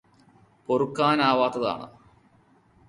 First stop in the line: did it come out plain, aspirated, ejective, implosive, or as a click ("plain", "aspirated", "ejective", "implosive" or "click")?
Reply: plain